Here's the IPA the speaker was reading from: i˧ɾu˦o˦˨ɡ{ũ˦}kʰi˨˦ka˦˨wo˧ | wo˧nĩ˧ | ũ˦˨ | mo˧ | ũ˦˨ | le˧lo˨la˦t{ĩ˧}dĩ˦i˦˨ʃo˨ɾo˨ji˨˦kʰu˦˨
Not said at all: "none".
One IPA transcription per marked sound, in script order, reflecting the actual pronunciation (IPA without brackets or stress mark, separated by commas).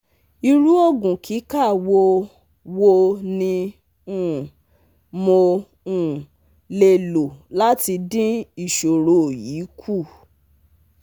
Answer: ũ˨, i˧